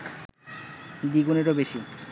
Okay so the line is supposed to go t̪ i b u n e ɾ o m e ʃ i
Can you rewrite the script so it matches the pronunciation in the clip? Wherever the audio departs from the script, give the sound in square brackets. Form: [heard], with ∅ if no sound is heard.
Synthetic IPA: [d̪] i [ɡ] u n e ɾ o [b] e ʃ i